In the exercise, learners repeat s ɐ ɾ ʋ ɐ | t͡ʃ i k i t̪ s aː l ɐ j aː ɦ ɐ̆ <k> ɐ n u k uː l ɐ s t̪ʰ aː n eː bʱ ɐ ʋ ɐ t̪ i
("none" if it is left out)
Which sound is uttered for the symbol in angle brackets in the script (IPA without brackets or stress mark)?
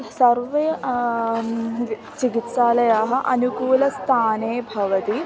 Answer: ʔ